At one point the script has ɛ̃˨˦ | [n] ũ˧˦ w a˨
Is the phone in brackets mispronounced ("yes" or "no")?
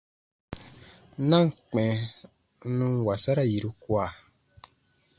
no